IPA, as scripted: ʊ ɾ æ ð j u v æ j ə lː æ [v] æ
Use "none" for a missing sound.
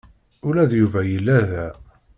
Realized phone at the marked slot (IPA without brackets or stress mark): ð